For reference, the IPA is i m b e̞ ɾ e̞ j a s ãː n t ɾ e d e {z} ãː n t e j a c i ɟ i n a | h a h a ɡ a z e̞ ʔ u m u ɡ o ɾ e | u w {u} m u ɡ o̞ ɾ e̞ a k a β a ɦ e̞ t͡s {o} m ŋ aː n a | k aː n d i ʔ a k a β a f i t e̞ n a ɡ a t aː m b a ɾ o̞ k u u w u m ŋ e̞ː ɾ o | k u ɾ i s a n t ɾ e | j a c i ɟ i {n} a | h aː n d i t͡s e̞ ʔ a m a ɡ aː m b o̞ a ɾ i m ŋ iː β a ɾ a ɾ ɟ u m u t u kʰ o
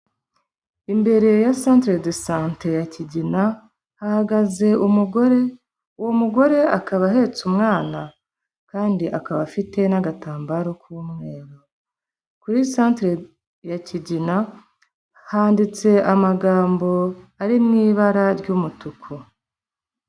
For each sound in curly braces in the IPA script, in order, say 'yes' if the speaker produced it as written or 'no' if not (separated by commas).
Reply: no, no, no, yes